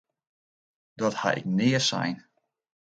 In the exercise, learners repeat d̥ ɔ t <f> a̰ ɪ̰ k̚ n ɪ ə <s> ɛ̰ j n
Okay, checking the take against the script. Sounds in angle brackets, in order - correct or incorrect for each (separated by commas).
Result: incorrect, correct